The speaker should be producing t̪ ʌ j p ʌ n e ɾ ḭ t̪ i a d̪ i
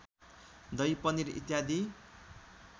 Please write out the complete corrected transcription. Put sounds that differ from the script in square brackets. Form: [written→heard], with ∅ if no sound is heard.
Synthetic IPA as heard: [t̪→d̪] ʌ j p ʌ n [e→i] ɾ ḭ t̪ [i→j] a d̪ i